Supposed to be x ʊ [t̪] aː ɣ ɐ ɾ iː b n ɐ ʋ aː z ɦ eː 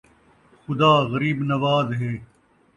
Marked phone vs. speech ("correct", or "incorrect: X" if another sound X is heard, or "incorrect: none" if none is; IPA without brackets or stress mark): incorrect: d̪